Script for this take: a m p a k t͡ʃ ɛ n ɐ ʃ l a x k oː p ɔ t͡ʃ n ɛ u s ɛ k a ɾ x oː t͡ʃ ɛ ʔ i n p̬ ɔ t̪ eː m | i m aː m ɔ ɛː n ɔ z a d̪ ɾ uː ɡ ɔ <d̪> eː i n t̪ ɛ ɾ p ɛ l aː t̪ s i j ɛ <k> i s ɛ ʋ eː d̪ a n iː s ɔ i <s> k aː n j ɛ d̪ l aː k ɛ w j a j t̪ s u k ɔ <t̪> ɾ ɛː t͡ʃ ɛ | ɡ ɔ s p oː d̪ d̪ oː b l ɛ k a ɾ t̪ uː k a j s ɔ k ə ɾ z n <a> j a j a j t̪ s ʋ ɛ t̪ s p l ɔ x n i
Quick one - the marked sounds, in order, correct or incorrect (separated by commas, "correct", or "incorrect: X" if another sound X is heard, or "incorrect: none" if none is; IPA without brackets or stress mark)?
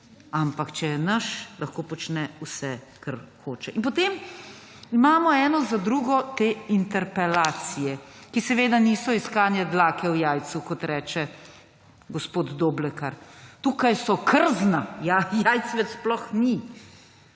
incorrect: t̪, correct, correct, correct, correct